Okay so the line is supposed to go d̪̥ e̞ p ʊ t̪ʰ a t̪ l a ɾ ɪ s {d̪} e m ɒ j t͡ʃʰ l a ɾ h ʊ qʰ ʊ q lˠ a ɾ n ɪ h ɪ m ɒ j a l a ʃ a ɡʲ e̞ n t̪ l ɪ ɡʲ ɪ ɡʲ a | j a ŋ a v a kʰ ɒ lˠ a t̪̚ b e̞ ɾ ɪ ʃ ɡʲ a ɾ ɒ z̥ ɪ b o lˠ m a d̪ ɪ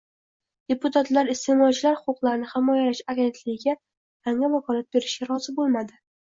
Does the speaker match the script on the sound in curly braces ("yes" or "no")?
no